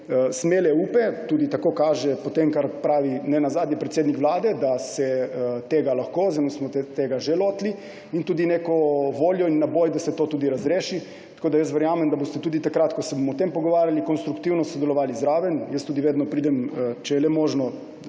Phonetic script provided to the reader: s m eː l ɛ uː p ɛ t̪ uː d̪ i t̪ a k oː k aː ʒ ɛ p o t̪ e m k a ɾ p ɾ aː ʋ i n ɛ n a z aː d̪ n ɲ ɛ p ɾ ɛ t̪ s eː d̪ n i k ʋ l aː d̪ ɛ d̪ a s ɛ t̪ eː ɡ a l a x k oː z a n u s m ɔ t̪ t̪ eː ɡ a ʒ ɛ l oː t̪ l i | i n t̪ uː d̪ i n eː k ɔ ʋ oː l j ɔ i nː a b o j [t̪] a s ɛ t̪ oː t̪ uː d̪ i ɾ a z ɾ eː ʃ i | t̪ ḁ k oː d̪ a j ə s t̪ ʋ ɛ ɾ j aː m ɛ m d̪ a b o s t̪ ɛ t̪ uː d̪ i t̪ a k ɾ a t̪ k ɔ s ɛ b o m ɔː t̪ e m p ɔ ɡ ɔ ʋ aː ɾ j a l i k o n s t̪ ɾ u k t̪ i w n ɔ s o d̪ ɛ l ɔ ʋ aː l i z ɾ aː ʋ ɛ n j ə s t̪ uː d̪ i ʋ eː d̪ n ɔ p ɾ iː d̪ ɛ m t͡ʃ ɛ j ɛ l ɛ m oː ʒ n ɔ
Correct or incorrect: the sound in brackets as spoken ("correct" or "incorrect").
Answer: incorrect